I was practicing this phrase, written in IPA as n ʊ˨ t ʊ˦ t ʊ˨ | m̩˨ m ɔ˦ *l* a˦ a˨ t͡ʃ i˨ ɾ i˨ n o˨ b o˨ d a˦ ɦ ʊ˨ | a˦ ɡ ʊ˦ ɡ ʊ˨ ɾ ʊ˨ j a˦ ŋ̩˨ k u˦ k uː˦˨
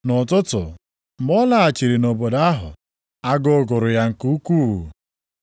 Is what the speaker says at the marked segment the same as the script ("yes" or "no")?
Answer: yes